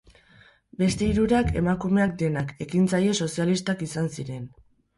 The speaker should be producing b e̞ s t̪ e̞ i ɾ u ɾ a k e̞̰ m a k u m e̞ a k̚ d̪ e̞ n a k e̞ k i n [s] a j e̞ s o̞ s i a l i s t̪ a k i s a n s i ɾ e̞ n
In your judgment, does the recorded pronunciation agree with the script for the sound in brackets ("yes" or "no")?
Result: no